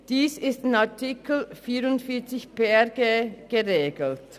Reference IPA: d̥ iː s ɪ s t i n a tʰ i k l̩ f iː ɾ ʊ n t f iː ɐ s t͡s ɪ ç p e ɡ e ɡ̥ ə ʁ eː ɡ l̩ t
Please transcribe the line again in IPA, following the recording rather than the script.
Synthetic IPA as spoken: d̥ iː s ɪ s t ɪ n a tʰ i k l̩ f iː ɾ ʊ n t f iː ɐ t͡s ɪ ç p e ɡ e ɡ̥ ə ʁ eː ɡ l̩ t